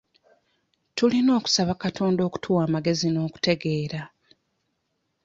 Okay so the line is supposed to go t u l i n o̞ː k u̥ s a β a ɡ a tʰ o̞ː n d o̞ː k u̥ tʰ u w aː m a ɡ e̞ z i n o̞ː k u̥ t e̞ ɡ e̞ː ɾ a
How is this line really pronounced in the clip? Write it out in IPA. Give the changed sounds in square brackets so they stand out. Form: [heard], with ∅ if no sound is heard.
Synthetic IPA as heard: t u l i n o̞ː k u̥ s a β a [k] a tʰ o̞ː n d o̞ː k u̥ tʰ u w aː m a ɡ e̞ z i n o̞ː k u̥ t e̞ ɡ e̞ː ɾ a